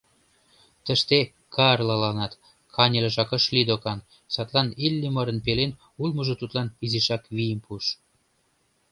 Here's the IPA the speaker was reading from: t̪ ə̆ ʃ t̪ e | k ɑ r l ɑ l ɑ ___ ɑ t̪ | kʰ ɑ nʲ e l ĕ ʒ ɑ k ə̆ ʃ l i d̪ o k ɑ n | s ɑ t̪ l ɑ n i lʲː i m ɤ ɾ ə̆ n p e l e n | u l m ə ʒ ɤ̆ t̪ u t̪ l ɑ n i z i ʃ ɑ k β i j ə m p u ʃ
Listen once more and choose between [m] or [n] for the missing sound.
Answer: n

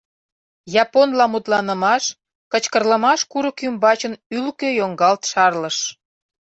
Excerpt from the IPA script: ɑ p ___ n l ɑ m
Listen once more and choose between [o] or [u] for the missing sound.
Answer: o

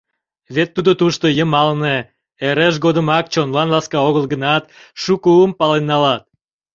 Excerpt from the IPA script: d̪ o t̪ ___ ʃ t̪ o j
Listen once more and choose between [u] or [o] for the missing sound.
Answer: u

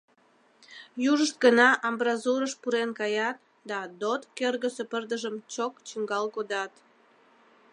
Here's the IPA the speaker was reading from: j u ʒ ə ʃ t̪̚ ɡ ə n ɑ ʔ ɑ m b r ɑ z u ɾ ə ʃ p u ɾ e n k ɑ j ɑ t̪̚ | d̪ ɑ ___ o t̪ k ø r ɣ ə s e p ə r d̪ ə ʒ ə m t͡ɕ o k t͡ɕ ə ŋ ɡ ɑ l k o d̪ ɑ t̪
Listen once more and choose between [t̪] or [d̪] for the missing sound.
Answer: d̪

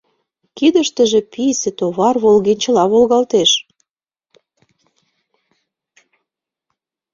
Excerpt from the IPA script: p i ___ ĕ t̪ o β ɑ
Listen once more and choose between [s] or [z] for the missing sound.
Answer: s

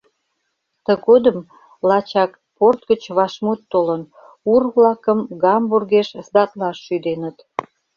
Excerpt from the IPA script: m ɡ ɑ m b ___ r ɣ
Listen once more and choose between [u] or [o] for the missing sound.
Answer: u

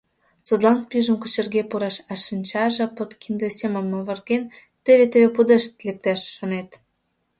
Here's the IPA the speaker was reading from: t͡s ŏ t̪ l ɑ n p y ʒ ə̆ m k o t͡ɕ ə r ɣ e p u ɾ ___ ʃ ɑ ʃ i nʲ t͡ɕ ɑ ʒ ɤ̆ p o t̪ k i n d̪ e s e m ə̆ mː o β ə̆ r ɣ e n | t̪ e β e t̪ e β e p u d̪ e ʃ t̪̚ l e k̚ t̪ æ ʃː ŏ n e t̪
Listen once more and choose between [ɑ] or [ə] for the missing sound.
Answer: ɑ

